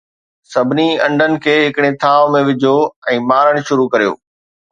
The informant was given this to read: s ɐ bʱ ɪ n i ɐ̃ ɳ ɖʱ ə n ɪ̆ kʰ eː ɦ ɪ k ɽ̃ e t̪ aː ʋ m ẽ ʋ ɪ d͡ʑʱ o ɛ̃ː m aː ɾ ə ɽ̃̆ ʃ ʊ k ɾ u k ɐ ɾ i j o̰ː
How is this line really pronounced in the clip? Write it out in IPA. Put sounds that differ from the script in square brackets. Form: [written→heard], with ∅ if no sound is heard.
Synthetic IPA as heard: s ɐ bʱ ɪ n i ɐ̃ ɳ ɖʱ ə n ɪ̆ kʰ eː ɦ ɪ k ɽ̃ e [t̪→t̪ʰ] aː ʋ m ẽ ʋ ɪ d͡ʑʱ o ɛ̃ː m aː ɾ ə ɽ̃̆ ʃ ʊ [k→∅] ɾ u k ɐ ɾ i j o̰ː

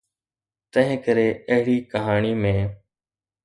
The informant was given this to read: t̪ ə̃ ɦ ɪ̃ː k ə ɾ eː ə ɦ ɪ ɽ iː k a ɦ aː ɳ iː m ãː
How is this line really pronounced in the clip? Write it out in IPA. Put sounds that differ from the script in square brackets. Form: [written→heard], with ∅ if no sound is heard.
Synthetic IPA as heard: t̪ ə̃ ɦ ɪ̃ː k ə ɾ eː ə ɦ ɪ ɽ iː k [a→ə] ɦ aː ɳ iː m [ãː→ẽː]

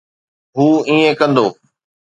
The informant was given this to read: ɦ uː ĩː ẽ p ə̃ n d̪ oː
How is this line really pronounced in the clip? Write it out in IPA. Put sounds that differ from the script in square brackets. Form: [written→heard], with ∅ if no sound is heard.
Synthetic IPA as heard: ɦ uː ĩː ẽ [p→k] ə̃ n d̪ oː

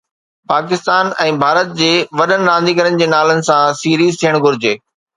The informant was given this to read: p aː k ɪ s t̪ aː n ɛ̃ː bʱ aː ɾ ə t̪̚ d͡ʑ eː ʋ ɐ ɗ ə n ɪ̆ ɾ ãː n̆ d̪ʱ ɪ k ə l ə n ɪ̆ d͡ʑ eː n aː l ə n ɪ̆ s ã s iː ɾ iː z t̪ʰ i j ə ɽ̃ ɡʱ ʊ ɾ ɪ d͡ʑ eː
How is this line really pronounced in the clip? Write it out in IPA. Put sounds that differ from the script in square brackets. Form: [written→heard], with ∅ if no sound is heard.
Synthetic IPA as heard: p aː k ɪ s t̪ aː n ɛ̃ː bʱ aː ɾ ə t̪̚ d͡ʑ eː ʋ ɐ ɗ ə n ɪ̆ ɾ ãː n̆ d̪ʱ [ɪ→i] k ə [l→ɾ] ə n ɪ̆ d͡ʑ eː n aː l ə n ɪ̆ s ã s iː ɾ iː z t̪ʰ i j ə ɽ̃ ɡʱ ʊ ɾ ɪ d͡ʑ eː

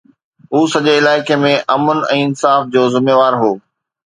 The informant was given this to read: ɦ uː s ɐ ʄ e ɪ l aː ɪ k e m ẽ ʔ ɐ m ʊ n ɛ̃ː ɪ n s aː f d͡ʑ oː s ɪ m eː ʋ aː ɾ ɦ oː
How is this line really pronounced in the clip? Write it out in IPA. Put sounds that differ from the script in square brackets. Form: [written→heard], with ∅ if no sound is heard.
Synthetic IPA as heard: ɦ uː s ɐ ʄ e ɪ l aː ɪ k e m ẽ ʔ ɐ m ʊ n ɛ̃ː ɪ n s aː f d͡ʑ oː [s→z] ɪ m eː ʋ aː ɾ ɦ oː

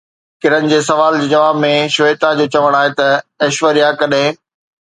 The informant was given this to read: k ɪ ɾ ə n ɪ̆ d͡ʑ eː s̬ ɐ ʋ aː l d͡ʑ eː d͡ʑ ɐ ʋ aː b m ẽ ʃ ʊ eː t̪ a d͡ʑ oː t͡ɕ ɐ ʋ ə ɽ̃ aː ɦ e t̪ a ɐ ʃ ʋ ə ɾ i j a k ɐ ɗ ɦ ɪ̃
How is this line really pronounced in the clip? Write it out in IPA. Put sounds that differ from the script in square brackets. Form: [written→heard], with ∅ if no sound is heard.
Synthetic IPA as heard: k ɪ ɾ ə n ɪ̆ d͡ʑ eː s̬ ɐ ʋ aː l d͡ʑ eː d͡ʑ ɐ ʋ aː b m ẽ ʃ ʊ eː t̪ a d͡ʑ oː t͡ɕ ɐ ʋ ə ɽ̃ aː ɦ e t̪ [a→ɐ] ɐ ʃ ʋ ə ɾ i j a k ɐ ɗ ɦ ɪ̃

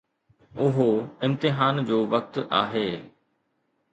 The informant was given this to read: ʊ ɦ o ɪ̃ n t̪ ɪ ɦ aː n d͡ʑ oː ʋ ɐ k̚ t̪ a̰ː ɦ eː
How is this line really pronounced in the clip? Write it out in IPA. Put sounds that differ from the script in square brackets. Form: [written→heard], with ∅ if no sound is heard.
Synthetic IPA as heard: ʊ ɦ o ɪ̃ [n→m] t̪ ɪ ɦ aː n d͡ʑ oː ʋ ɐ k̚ t̪ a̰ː ɦ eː

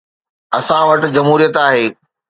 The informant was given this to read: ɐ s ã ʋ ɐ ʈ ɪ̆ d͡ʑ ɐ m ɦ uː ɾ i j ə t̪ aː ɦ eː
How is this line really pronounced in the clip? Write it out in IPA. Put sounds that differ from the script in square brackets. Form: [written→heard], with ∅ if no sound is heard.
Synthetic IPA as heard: ɐ s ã ʋ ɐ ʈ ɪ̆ d͡ʑ ɐ m ɦ uː ɾ i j ə t̪ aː ɦ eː

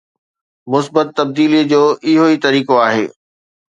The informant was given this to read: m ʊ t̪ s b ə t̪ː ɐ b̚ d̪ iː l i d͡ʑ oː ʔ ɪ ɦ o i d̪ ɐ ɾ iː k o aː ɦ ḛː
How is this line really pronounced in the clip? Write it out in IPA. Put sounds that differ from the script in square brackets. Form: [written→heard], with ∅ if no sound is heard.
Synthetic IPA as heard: m ʊ [t̪→∅] s b ə t̪ː ɐ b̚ d̪ iː l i d͡ʑ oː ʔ ɪ ɦ o i [d̪→t̪] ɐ ɾ iː k o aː ɦ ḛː

